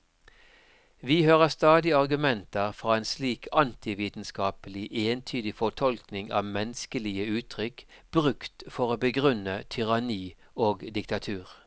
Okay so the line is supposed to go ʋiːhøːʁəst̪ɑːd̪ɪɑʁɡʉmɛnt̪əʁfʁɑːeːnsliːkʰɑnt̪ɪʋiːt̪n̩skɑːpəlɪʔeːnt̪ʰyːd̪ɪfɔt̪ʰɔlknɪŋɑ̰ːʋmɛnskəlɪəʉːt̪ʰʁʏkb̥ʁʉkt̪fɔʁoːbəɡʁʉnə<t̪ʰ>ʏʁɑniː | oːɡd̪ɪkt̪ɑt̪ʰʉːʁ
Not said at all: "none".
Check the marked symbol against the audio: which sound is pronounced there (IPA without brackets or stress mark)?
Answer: t̪ʰ